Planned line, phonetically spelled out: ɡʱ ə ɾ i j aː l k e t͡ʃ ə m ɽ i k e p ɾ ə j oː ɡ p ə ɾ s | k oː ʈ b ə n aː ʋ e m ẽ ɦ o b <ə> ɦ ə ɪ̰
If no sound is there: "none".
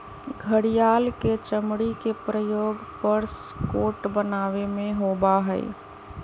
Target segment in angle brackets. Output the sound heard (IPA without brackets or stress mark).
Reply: a